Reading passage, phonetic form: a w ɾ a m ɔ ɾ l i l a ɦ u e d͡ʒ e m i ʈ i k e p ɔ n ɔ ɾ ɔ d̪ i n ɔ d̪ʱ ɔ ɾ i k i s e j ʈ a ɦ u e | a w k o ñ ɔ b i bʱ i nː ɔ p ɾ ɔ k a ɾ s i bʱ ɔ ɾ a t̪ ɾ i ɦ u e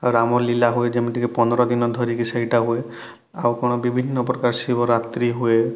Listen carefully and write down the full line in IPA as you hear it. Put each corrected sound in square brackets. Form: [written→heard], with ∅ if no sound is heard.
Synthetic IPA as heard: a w ɾ a m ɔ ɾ l i l a ɦ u e d͡ʒ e m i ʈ i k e p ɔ n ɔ ɾ ɔ d̪ i n ɔ d̪ʱ ɔ ɾ i k i s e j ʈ a ɦ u e | a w k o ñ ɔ b i bʱ i nː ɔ p ɾ ɔ k a ɾ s i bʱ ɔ ɾ a t̪ ɾ i ɦ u e

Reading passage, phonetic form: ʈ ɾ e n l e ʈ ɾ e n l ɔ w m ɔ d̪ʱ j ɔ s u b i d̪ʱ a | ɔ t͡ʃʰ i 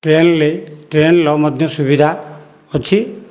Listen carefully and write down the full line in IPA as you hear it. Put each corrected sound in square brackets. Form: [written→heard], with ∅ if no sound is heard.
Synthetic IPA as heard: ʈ ɾ e n l e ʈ ɾ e n l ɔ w m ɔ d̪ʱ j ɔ s u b i d̪ʱ a | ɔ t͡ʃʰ i

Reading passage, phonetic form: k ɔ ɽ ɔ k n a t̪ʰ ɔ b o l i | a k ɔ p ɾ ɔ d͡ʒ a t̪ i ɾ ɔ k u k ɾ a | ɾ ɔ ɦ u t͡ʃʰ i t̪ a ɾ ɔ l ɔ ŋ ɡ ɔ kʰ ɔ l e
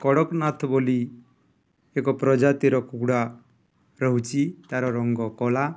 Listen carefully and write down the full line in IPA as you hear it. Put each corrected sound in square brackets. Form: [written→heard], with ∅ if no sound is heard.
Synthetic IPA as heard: k ɔ ɽ ɔ k n a t̪ʰ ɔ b o l i | [a→e] k ɔ p ɾ ɔ d͡ʒ a t̪ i ɾ ɔ k u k [ɾ→ɽ] a | ɾ ɔ ɦ u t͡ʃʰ i t̪ a ɾ ɔ [l→ɾ] ɔ ŋ ɡ ɔ [kʰ→k] ɔ l [e→a]

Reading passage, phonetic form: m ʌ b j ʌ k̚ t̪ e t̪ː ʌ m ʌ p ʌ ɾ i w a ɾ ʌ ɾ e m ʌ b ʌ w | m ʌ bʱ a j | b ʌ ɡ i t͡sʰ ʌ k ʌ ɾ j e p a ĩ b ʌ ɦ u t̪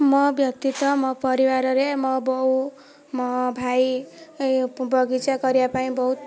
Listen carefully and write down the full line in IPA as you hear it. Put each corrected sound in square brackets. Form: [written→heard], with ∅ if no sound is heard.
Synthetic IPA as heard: m ʌ b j ʌ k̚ t̪ [e→i] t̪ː ʌ m ʌ p ʌ ɾ i w a ɾ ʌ ɾ e m ʌ b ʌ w | m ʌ bʱ a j | b ʌ ɡ i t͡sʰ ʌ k ʌ ɾ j [e→a] p a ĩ b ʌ ɦ u t̪

